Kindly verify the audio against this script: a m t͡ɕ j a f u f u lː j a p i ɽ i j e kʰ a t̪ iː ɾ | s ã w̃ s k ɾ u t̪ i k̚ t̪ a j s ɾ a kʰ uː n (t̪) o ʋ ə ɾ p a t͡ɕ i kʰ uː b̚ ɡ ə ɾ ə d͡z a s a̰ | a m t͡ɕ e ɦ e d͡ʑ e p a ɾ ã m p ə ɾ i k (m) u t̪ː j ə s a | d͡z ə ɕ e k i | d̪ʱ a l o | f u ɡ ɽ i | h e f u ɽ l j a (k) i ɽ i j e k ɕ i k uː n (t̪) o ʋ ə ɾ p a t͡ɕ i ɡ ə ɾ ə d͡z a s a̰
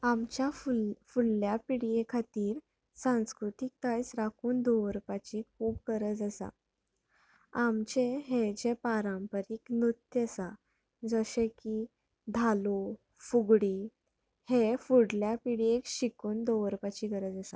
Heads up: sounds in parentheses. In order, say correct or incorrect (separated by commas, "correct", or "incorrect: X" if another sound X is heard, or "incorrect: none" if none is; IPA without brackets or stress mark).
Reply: incorrect: d̪, incorrect: n, incorrect: p, incorrect: d̪